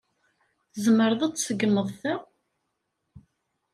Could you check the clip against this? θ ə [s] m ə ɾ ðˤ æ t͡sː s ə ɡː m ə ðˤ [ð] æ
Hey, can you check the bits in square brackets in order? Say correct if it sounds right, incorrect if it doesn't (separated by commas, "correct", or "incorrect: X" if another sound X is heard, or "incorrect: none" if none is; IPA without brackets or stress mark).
incorrect: z, incorrect: θ